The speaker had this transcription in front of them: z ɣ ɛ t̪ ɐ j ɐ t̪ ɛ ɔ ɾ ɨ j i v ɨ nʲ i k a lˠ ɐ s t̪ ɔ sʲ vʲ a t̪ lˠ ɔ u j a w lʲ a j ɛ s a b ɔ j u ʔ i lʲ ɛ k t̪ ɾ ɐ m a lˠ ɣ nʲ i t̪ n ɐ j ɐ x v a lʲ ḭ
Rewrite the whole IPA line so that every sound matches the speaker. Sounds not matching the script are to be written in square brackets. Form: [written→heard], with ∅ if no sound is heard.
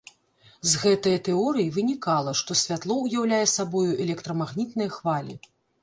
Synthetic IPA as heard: z ɣ ɛ t̪ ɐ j ɐ t̪ ɛ ɔ ɾ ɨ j i v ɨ nʲ i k a lˠ ɐ [s→ʂ] t̪ ɔ sʲ vʲ a t̪ lˠ ɔ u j a w lʲ a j ɛ s a b ɔ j u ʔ [i→ɛ] lʲ ɛ k t̪ ɾ ɐ m a [lˠ→∅] ɣ nʲ i t̪ n ɐ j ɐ x v a lʲ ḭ